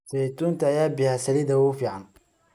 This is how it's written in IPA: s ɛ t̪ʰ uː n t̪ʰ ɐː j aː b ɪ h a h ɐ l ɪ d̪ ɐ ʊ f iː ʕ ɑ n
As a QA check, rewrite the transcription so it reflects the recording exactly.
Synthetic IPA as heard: s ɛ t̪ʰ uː n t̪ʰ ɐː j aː b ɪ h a s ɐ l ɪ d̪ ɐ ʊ f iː ʕ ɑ n